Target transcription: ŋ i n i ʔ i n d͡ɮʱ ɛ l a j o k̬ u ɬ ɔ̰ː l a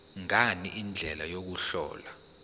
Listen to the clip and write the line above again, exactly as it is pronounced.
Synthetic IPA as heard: ŋ a n i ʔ i n d͡ɮʱ ɛ l a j o k̬ u ɬ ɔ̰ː l a